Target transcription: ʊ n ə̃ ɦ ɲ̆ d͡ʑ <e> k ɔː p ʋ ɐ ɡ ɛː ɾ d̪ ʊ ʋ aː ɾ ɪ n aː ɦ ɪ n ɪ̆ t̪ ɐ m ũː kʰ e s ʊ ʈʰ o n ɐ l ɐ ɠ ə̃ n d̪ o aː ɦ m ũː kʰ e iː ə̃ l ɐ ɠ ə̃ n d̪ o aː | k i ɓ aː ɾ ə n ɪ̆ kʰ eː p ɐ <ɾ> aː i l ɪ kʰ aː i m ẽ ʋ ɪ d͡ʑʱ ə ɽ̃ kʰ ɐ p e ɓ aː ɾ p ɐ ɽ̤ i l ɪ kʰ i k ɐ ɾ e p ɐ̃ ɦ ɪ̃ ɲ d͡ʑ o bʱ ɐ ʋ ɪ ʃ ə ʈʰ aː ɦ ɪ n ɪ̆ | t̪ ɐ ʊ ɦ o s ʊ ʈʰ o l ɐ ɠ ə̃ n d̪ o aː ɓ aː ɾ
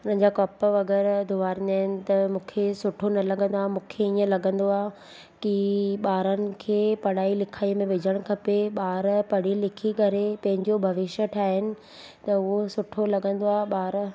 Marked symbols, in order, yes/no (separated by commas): no, no